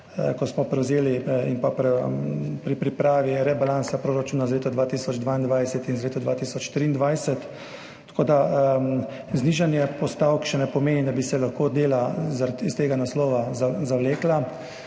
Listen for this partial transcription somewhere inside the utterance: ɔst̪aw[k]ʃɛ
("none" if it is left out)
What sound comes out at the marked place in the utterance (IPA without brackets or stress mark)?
k